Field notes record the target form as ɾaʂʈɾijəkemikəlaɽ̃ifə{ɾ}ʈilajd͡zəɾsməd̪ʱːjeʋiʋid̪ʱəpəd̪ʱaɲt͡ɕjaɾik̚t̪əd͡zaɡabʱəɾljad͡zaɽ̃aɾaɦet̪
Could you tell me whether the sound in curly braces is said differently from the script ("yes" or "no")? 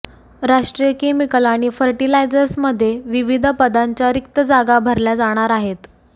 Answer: no